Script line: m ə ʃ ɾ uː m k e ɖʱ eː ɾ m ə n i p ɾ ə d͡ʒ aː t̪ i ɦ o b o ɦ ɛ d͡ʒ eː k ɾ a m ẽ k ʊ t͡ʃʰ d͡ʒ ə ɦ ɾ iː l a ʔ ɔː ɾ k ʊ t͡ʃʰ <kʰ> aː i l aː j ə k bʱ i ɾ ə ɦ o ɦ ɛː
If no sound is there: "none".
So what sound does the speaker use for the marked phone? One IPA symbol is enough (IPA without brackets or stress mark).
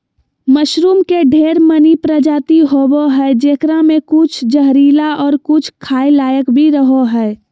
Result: kʰ